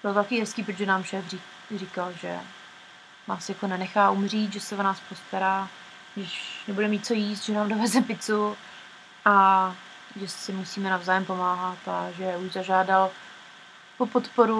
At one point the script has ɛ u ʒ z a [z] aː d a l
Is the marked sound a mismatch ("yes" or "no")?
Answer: yes